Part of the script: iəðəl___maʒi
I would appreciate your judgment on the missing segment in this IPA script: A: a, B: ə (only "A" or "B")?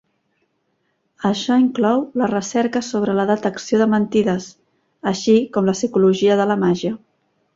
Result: B